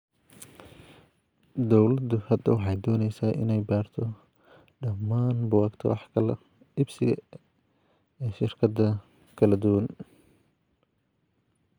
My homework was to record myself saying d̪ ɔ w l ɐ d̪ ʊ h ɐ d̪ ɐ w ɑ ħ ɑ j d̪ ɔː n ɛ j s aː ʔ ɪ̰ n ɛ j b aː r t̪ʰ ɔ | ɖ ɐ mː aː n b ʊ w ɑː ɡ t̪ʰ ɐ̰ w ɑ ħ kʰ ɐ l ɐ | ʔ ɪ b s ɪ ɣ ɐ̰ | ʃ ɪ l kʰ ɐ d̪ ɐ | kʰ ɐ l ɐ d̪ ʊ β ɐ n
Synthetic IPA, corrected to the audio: d̪ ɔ w l ɐ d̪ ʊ h ɐ d̪ ɐ w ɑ ħ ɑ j d̪ ɔː n ɛ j s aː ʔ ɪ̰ n ɛ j b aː r t̪ʰ ɔ | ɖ ɐ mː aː n b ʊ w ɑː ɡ t̪ʰ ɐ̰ w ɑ ħ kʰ ɐ l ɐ | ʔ ɪ b s ɪ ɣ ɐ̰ | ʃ ɪ r kʰ ɐ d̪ ɐ | kʰ ɐ l ɐ d̪ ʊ w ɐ n